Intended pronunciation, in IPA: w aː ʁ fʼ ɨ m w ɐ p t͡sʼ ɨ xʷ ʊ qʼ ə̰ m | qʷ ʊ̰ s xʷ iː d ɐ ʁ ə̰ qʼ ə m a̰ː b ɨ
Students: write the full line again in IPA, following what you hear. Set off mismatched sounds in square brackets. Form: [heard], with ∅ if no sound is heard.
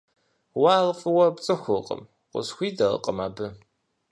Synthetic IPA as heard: w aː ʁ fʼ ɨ [∅] w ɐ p t͡sʼ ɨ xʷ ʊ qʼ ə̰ m | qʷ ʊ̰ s xʷ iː d ɐ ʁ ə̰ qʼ ə m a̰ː b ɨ